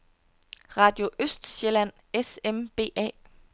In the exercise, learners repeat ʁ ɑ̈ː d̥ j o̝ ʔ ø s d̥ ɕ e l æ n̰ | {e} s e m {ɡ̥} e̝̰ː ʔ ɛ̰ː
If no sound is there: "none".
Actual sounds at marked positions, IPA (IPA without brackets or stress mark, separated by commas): e, b̥